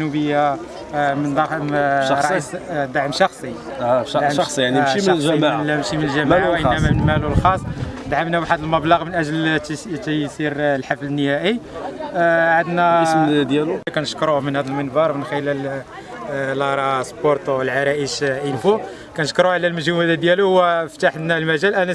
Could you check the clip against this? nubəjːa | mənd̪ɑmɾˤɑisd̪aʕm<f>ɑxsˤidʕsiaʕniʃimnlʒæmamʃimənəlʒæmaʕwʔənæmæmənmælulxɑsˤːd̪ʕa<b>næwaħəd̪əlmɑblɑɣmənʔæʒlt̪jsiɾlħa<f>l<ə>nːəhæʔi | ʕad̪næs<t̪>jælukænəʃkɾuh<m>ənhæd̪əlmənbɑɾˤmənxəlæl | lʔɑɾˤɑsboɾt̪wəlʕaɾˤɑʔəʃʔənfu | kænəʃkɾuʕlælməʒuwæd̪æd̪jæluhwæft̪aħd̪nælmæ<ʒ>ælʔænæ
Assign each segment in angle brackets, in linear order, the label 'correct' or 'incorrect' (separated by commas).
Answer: incorrect, incorrect, correct, correct, incorrect, correct, correct